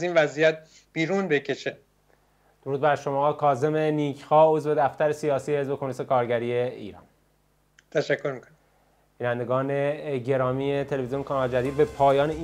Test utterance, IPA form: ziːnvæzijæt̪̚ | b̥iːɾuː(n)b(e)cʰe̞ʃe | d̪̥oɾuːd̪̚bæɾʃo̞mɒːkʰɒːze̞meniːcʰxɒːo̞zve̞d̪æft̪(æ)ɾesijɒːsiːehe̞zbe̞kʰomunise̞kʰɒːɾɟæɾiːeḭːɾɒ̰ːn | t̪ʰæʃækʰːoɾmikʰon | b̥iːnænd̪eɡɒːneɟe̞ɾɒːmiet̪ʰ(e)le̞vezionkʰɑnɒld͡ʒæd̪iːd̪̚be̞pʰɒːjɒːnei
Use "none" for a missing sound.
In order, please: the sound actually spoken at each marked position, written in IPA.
n, e, æ, e

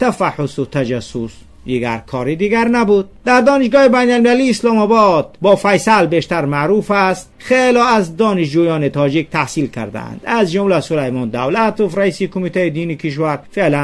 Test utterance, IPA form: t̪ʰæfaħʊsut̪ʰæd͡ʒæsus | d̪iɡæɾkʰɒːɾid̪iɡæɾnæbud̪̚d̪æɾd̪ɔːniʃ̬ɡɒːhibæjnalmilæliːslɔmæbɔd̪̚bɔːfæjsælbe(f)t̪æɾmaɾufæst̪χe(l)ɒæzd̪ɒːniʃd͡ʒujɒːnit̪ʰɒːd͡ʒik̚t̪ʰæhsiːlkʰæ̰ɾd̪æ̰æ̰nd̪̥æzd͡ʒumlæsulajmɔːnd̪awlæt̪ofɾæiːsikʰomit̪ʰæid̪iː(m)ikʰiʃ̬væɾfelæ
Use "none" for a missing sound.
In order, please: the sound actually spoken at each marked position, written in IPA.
ʃ, l, n

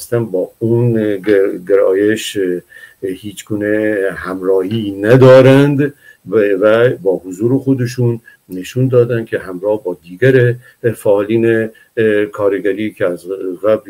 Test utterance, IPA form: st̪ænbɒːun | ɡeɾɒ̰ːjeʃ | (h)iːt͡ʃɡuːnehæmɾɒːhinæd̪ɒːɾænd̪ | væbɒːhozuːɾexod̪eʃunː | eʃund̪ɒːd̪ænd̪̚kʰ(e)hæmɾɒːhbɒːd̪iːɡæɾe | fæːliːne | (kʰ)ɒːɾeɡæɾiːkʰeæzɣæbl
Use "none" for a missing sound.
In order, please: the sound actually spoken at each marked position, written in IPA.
h, e, kʰ

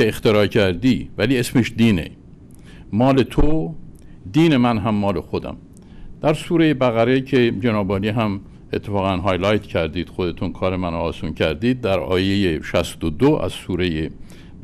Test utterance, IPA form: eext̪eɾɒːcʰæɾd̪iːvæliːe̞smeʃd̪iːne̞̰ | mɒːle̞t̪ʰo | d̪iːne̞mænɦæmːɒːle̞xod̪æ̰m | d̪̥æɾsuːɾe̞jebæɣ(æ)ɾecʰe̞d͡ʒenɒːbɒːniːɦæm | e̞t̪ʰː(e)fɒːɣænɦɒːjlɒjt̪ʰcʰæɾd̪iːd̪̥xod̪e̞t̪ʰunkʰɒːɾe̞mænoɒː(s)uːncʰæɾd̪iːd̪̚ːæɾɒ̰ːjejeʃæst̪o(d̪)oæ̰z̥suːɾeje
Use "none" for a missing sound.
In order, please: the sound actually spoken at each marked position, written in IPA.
æ, e, s, d̪

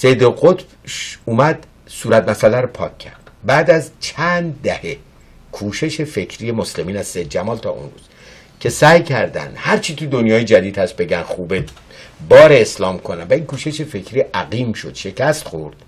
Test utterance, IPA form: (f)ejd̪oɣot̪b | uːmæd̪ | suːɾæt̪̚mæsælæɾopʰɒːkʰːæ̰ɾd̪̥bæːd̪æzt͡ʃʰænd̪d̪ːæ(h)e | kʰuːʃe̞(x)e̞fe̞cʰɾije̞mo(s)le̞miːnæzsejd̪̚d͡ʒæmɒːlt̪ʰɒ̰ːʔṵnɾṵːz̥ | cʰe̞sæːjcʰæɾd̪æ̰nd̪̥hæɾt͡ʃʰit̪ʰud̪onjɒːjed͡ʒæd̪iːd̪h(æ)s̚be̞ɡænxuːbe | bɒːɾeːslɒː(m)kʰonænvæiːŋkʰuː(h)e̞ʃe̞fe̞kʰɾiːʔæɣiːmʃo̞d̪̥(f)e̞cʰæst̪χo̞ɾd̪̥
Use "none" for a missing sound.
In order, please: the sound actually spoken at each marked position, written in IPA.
s, h, ʃ, s, æ, m, ʃ, ʃ

